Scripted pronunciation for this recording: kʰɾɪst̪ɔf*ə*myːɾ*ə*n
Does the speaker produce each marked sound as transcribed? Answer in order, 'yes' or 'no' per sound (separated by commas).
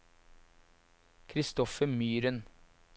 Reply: yes, yes